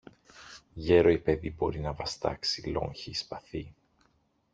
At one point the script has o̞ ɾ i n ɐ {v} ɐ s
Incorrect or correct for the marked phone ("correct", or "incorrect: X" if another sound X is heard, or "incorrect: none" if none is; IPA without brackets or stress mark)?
correct